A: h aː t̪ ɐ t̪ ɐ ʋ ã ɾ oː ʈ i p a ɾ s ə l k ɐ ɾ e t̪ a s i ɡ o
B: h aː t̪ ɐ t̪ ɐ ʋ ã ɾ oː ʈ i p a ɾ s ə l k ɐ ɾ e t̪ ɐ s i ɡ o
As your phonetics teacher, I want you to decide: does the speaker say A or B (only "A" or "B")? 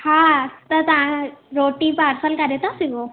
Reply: A